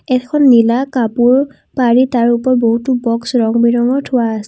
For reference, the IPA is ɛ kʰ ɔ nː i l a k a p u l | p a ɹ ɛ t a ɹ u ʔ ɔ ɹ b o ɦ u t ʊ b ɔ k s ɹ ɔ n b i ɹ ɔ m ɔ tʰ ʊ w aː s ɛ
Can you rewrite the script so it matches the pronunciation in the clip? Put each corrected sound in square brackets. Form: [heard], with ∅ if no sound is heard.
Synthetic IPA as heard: ɛ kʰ ɔ nː i l a k a p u [ɹ] | p a ɹ [i] t a ɹ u [p] ɔ ɹ b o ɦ u t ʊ b ɔ k s ɹ ɔ [ŋ] b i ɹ ɔ [ŋ] ɔ tʰ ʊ w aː s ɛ